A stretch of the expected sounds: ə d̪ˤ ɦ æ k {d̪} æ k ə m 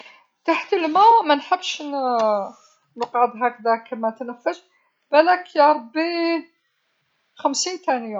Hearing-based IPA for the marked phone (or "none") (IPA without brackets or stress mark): d̪